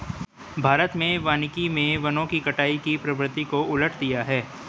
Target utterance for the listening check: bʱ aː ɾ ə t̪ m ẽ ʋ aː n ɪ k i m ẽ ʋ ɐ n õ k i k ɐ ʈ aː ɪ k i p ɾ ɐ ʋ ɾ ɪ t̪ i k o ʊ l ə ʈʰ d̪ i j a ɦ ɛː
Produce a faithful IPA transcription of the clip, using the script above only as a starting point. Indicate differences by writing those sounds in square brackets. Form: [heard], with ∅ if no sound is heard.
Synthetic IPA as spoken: bʱ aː ɾ ə t̪ m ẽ ʋ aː n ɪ k i m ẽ ʋ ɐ n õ k i k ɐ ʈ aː [i] k i p ɾ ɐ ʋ ɾ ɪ t̪ i k o ʊ l ə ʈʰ d̪ i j a ɦ ɛː